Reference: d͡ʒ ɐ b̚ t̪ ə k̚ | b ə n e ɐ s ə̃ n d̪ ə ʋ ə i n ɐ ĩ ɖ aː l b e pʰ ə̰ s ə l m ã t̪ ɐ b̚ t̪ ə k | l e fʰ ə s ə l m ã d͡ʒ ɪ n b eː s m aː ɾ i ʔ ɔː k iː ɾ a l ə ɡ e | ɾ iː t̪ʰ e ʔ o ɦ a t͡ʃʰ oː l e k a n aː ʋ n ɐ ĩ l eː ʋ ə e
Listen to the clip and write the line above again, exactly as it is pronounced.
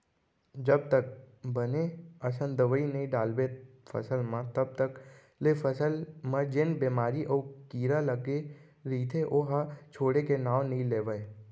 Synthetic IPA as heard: d͡ʒ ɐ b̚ t̪ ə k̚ | b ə n e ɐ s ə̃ n d̪ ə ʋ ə i n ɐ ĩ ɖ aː l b e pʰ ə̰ s ə l m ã t̪ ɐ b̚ t̪ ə k | l e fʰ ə s ə l m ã d͡ʒ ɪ n b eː m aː ɾ i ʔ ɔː k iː ɾ a l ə ɡ e | ɾ iː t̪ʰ e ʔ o ɦ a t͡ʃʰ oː ɽ e k e n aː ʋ n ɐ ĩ l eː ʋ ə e